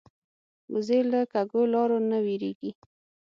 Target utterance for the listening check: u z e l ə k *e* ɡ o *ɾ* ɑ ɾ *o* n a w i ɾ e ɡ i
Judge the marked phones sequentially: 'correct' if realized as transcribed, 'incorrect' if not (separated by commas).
incorrect, incorrect, correct